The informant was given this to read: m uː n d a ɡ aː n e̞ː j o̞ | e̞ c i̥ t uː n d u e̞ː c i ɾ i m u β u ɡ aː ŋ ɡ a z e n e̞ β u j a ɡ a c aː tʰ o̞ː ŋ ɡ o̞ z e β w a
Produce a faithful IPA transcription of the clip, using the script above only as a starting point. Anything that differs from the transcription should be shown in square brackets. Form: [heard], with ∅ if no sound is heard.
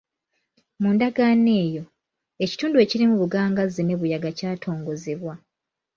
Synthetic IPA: m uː n d a ɡ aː n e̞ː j o̞ | e̞ c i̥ t uː n d u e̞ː c i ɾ i m u β u ɡ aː ŋ ɡ a z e n e̞ β u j a ɡ a c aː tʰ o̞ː ŋ ɡ o̞ z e β w a